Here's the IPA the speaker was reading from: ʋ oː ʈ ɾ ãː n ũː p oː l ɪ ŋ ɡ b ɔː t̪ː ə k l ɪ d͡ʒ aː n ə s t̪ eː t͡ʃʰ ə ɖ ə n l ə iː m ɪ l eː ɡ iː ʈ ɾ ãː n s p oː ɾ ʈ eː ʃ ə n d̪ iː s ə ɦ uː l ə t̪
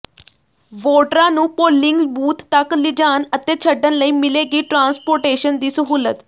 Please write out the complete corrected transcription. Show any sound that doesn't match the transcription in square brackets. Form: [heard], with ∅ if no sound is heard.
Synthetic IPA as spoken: ʋ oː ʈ ɾ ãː n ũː p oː l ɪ ŋ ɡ b [uː] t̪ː ə k l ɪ d͡ʒ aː n ə [∅] t̪ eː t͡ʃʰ ə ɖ ə n l ə iː m ɪ l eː ɡ iː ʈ ɾ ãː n s p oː ɾ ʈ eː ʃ ə n d̪ iː s ə ɦ uː l ə t̪